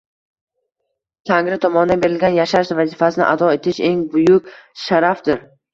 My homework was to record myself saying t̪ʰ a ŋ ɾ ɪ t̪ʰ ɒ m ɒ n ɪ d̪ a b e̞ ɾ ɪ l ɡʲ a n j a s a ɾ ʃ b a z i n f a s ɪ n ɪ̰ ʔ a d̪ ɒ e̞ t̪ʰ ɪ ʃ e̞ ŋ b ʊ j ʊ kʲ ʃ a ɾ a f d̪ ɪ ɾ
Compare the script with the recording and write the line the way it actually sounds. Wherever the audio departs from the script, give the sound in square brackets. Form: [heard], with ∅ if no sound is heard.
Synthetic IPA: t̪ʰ a ŋ ɾ ɪ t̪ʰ ɒ m ɒ n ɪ d̪ a b e̞ ɾ ɪ l ɡʲ a n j a [ʃ] a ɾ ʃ [v] a z i [∅] f a s ɪ n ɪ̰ ʔ a d̪ ɒ e̞ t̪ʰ ɪ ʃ e̞ ŋ b ʊ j ʊ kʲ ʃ a ɾ a f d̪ ɪ ɾ